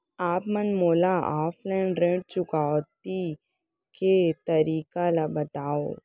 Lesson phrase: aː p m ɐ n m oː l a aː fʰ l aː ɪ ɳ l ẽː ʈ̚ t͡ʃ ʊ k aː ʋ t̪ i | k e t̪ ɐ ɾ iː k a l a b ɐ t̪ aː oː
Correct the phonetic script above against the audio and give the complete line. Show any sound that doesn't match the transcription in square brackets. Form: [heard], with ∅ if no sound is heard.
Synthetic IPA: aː p m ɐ n m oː l a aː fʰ l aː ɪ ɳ [ɾ] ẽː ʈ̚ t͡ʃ ʊ k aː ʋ t̪ i | k e t̪ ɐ ɾ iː k a l a b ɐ t̪ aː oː